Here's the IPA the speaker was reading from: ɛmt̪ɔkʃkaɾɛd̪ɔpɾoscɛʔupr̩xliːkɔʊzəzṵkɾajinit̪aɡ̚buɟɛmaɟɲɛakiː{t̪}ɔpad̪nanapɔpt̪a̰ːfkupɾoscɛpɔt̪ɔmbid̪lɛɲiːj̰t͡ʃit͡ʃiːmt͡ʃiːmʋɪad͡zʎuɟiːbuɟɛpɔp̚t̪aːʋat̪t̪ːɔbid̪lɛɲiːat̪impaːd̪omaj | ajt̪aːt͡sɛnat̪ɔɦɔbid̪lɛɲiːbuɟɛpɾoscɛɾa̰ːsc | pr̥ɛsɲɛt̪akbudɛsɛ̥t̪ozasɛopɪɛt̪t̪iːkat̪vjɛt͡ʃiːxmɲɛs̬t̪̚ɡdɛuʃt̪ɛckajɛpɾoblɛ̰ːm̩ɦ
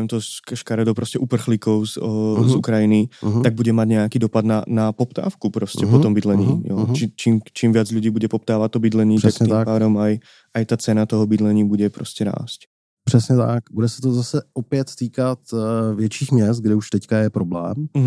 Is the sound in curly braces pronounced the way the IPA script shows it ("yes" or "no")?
no